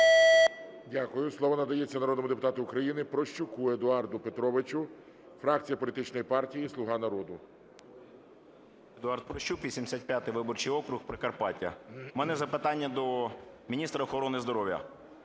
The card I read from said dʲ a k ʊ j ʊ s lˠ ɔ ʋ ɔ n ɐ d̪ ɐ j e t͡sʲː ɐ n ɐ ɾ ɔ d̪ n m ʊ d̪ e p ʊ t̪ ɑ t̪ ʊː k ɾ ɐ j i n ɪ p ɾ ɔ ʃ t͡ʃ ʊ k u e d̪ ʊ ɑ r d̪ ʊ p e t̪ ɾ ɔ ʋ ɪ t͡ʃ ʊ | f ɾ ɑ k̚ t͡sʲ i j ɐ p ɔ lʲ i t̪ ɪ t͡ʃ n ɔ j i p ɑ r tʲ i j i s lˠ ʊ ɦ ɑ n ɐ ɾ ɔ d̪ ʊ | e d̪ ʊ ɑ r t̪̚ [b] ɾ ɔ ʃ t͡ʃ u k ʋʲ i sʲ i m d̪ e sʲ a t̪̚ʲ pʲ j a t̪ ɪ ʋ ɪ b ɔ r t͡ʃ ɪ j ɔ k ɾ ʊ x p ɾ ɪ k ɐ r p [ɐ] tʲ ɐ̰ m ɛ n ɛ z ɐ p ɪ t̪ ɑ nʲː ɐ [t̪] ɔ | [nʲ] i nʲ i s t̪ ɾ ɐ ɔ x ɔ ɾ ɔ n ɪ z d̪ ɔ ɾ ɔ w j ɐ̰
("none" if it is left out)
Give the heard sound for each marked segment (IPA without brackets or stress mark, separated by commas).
p, ɑ, d̪, mʲ